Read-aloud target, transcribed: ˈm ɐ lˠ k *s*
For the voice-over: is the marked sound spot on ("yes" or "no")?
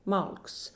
yes